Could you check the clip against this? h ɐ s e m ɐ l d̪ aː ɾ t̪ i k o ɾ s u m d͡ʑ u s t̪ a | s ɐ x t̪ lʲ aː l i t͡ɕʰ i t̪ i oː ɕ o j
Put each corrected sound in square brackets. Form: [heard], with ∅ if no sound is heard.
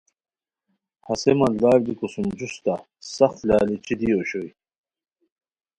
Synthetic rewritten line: h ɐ s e m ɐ l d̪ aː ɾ [d̪] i k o [∅] s u m d͡ʑ u s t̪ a | s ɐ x t̪ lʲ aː l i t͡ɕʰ i [d̪] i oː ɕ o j

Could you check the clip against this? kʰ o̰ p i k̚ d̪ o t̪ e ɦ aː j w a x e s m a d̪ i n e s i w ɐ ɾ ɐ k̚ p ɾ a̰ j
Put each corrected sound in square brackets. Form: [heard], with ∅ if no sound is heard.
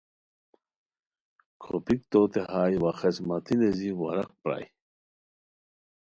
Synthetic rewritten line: kʰ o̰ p i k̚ [t̪] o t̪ e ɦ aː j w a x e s m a [t̪] i n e [z] i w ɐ ɾ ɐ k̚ p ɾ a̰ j

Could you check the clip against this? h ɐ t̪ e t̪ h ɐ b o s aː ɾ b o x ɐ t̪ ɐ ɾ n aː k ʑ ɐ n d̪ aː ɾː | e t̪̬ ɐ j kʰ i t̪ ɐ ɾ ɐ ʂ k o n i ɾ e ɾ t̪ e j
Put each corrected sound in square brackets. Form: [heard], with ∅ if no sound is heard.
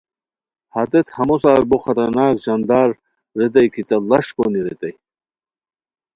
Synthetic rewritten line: h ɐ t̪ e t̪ h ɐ [m] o s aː ɾ b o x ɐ t̪ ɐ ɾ n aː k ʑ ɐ n d̪ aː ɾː | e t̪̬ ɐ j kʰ i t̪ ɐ [l] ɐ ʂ k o n i ɾ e [∅] t̪ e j

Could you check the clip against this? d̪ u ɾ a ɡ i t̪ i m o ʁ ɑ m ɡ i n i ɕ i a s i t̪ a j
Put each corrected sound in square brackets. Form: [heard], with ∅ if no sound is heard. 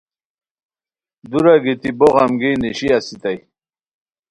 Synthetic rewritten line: d̪ u ɾ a ɡ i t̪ i [b] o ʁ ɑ m ɡ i n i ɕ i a s i t̪ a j

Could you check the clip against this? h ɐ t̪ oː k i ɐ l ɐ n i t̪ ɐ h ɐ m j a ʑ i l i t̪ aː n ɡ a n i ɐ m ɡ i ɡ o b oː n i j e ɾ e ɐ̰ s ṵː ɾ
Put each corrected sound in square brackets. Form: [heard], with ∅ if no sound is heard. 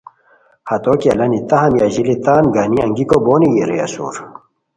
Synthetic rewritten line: h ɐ t̪ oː k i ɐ l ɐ n i t̪ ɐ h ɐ m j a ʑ i l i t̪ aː n ɡ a n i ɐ [ŋ] ɡ i [k] o b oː n i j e ɾ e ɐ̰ s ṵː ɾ

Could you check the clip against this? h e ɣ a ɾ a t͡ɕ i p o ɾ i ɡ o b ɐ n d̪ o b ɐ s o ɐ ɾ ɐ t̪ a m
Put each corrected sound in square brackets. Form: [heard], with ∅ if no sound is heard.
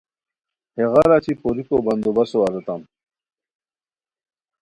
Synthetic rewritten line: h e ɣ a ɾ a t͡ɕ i p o ɾ i [k] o b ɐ n d̪ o b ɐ s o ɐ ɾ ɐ t̪ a m

